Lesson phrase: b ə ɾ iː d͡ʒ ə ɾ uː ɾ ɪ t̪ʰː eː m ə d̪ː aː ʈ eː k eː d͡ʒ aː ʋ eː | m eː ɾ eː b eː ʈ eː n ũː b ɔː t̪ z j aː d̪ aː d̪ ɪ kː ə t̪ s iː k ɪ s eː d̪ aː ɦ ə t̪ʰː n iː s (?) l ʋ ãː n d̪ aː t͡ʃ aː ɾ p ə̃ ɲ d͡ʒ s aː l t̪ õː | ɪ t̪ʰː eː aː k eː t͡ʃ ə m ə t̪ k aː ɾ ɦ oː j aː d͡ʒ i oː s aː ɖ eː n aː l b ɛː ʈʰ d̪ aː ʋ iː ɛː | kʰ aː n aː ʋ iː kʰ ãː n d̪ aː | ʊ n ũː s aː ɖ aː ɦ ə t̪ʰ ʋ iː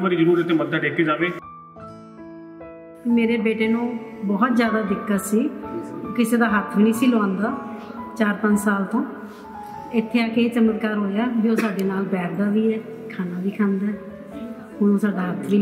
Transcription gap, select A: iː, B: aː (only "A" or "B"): A